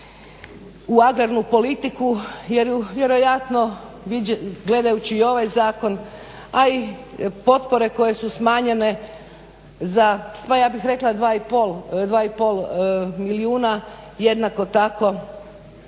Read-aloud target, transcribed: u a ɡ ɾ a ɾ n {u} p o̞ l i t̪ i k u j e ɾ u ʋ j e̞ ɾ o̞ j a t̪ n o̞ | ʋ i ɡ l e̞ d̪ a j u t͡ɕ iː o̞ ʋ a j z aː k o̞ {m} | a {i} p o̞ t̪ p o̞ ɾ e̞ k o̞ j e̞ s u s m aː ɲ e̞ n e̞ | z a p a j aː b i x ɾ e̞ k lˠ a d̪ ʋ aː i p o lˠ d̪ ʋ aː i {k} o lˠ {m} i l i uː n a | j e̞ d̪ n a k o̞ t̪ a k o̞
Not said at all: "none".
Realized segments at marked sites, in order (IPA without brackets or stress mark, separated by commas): u, n, i, p, m